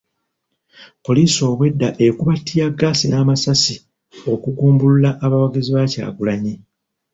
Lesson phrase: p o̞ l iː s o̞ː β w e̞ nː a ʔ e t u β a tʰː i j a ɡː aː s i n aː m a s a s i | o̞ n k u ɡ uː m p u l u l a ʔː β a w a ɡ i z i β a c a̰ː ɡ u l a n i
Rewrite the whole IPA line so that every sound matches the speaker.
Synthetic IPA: p o̞ l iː s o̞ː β w e̞ dː a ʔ e k u β a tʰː i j a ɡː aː s i n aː m a s a s i | o̞ k u ɡ uː m b u l u l a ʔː β a w a ɡ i z i β a c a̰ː ɡ u l a ɲ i